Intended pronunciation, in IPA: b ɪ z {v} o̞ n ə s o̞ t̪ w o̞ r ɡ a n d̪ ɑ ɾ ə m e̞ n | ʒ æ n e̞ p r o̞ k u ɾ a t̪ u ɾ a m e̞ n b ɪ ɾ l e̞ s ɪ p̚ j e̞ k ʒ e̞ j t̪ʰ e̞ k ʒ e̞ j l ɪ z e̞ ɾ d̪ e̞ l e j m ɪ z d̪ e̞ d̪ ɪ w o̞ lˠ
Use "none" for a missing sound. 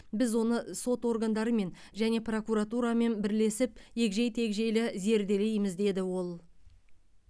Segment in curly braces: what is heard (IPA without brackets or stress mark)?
w